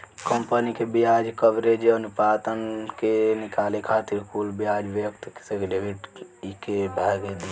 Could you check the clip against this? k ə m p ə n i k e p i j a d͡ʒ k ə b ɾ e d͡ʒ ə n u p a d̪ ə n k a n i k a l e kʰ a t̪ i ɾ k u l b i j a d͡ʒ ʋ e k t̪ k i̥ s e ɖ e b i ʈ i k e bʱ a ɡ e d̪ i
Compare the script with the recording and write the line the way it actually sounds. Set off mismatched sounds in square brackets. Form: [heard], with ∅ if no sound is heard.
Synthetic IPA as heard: k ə m p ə n i k e [b] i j a d͡ʒ k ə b ɾ e d͡ʒ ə n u p a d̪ ə n k [e] n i k a l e kʰ a t̪ i ɾ k u l b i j a d͡ʒ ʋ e k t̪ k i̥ s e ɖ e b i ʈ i k e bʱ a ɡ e d̪ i